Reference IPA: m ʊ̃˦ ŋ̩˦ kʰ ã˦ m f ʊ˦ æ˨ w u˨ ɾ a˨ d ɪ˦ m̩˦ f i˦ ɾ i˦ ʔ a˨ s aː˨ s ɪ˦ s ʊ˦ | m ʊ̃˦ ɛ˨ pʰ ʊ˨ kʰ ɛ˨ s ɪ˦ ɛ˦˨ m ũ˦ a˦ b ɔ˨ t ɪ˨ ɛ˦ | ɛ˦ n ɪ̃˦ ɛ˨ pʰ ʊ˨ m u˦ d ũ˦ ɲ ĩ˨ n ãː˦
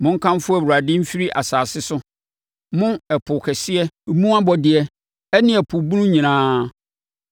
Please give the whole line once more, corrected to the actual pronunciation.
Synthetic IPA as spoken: m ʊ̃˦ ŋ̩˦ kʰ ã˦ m f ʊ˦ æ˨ w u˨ ɾ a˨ d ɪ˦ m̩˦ f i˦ ɾ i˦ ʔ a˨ s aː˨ s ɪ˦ s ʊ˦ | m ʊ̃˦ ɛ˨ pʰ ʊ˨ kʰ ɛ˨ s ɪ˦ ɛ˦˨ m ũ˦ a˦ b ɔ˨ d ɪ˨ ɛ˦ | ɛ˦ n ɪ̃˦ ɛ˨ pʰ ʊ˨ b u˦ n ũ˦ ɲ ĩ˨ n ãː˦